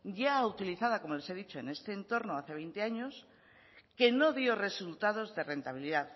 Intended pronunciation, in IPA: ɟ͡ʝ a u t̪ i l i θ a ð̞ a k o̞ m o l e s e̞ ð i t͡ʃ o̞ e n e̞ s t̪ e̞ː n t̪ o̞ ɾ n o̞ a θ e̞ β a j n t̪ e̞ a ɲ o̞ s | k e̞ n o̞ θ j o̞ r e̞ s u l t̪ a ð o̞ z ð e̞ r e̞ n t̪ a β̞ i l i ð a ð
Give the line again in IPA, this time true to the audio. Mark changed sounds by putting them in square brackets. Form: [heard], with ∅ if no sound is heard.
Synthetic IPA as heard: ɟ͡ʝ a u t̪ i l i θ a ð̞ a k o̞ m o l e s e̞ ð i t͡ʃ o̞ e n e̞ s t̪ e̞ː n t̪ o̞ ɾ n o̞ a θ e̞ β [e] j n t̪ e̞ a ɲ o̞ s | k e̞ n o̞ [ð] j o̞ r e̞ s u l t̪ a ð o̞ z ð e̞ r e̞ n t̪ a β̞ i l i ð a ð